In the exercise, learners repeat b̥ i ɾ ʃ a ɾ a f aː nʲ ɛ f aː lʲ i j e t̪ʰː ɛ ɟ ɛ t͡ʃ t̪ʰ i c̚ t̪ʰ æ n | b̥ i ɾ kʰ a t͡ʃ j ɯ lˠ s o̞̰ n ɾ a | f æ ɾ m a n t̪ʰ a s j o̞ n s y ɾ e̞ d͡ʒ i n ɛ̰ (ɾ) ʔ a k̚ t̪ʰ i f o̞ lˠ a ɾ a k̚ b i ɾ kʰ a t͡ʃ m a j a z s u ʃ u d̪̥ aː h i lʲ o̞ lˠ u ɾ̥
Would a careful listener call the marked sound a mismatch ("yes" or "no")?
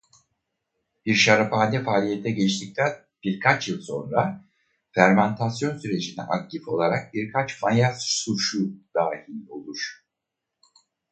yes